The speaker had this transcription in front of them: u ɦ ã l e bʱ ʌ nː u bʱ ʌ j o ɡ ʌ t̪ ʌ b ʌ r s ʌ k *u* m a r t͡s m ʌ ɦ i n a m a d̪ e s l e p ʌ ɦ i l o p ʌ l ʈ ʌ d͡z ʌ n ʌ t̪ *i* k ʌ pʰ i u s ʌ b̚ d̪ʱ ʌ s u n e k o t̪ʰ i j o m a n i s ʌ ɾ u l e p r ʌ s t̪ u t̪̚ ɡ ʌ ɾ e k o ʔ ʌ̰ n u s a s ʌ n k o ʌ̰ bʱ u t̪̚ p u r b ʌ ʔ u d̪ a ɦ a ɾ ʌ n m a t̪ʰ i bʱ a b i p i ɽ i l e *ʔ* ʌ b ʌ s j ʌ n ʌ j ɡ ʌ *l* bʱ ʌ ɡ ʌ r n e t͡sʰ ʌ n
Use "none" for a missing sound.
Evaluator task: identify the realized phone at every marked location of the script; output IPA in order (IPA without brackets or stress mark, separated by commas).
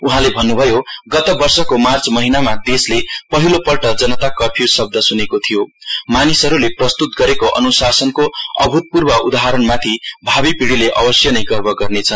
o, a, ʔ, r